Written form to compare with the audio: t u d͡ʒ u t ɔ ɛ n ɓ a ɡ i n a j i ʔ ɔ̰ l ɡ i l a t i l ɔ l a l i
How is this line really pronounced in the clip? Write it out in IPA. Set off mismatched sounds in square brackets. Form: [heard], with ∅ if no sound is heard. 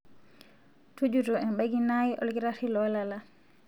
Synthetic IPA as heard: t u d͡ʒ u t ɔ ɛ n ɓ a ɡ i n a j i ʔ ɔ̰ l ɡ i [ɾ] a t i l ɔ l a l [a]

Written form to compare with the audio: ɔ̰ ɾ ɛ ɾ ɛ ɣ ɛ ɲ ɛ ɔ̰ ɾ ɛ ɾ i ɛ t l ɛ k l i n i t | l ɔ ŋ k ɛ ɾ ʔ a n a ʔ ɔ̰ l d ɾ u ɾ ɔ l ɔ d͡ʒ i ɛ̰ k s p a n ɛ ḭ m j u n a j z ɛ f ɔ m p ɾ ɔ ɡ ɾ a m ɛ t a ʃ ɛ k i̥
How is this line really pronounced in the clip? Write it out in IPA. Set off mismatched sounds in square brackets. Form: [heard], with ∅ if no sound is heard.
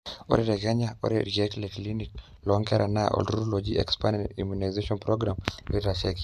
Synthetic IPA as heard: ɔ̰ ɾ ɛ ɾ ɛ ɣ ɛ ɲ [a] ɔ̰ ɾ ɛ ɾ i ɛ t l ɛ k l i n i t | l ɔ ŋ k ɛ ɾ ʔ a n a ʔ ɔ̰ l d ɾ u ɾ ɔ l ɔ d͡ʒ i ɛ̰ k s p a n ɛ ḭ m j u n a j z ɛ [ʃ] ɔ [n] p ɾ ɔ ɡ ɾ a m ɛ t a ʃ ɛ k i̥

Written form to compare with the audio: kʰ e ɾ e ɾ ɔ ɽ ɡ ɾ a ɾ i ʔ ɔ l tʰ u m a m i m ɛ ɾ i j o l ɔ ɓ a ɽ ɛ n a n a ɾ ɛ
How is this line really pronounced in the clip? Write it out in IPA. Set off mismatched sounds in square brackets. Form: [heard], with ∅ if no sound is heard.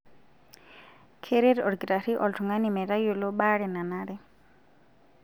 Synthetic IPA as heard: kʰ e ɾ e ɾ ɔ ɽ ɡ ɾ a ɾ i ʔ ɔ l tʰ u [ŋ] a [n] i m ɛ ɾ [a] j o l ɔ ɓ a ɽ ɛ n a n a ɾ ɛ

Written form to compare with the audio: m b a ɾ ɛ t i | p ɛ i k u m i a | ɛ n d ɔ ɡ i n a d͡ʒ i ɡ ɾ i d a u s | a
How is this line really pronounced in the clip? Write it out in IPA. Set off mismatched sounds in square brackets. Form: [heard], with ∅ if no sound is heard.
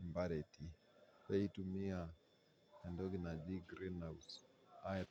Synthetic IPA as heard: m b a ɾ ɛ t i | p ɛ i [t] u m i a | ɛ n d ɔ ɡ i n a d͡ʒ i ɡ ɾ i [n] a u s | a

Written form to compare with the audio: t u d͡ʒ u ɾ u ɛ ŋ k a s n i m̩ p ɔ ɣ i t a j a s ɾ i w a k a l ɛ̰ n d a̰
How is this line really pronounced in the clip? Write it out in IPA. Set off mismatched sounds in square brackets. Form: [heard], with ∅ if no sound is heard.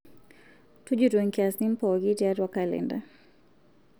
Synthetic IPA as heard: t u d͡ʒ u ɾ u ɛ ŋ k a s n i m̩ p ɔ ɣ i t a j a [∅] ɾ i w a k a l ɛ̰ n d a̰

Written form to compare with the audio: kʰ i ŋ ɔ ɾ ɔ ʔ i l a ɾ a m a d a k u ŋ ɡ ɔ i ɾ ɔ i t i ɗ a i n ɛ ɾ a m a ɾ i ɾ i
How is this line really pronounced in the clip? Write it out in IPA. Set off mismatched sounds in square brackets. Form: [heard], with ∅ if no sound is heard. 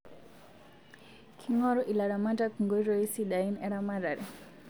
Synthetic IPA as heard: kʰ i ŋ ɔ ɾ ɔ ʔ i l a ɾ a m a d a k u ŋ ɡ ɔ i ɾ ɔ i [s] i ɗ a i n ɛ ɾ a m a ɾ [a] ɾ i

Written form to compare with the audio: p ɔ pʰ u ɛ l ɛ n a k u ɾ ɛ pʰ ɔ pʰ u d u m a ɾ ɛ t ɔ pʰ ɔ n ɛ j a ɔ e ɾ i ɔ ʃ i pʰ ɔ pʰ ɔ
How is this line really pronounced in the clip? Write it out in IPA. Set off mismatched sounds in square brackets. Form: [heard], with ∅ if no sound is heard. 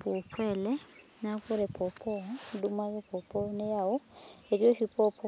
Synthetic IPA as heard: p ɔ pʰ [w] ɛ l ɛ n a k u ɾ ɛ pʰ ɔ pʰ [ɔ] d u m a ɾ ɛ [p] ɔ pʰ ɔ n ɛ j a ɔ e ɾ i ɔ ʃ i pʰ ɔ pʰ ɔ

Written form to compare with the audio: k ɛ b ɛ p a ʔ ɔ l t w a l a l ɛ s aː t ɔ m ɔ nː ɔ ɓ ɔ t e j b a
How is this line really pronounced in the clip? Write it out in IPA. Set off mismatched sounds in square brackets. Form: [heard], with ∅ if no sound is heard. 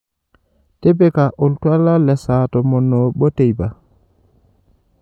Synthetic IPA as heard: [t] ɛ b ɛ [k] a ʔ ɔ l t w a l a l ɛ s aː t ɔ m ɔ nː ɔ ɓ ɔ t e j b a

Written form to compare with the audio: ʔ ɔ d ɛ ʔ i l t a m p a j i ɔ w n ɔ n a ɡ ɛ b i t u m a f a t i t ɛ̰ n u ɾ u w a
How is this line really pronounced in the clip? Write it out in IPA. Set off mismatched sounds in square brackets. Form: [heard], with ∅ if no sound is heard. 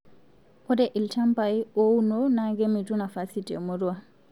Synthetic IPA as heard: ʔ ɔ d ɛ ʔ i l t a m p a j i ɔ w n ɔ n a ɡ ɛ [m] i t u [n] a f a [s] i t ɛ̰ [m] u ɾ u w a

